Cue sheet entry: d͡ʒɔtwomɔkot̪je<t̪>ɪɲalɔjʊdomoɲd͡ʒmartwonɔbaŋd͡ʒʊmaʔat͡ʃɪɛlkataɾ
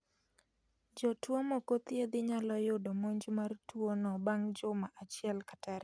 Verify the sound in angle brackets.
incorrect: d̪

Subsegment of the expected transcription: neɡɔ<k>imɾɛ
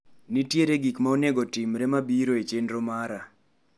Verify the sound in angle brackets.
incorrect: t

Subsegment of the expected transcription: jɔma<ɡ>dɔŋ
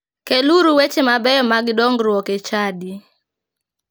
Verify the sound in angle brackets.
correct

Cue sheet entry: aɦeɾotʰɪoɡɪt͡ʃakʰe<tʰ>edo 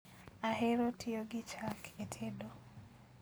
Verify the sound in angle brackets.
correct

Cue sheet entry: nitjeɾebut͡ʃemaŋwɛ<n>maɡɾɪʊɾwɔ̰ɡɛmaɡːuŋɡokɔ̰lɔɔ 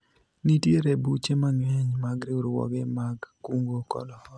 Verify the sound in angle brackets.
incorrect: ɲ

